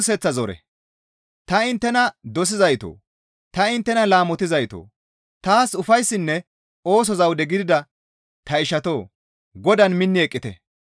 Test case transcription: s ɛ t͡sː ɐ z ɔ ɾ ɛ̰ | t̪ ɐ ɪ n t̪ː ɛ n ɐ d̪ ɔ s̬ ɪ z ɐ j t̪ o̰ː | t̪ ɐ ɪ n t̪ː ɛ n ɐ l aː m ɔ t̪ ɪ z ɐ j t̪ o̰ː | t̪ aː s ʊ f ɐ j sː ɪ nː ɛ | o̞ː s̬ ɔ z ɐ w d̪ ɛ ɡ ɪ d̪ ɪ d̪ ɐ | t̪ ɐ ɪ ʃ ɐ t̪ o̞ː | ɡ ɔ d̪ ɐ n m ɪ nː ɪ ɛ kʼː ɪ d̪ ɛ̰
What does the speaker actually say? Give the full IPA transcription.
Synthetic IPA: s ɛ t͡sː ɐ z ɔ ɾ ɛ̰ | t̪ ɐ ɪ n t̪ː ɛ n ɐ d̪ ɔ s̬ ɪ z ɐ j t̪ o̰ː | t̪ ɐ ɪ n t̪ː ɛ n ɐ l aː m ɔ t̪ ɪ z ɐ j t̪ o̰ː | t̪ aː s ʊ f ɐ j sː ɪ nː ɛ | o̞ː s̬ ɔ z ɐ w d̪ ɛ ɡ ɪ d̪ ɪ d̪ ɐ | t̪ ɐ ɪ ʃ ɐ t̪ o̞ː | ɡ ɔ d̪ ɐ n m ɪ nː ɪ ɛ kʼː ɪ t̪ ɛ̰